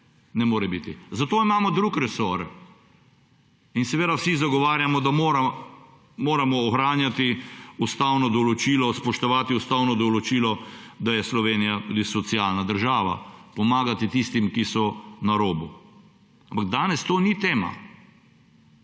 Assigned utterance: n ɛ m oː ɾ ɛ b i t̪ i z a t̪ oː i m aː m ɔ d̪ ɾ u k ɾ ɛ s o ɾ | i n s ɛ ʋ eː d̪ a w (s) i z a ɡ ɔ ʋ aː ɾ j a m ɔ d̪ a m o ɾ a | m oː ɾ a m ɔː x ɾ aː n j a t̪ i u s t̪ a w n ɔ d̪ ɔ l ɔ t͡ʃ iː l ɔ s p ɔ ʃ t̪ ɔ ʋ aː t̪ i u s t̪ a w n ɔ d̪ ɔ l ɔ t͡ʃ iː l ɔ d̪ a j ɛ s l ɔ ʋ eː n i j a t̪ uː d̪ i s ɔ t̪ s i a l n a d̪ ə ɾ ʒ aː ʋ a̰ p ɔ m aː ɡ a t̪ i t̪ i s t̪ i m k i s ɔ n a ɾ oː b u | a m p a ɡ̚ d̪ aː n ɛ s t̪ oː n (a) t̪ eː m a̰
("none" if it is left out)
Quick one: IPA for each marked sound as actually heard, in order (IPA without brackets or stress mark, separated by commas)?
s, i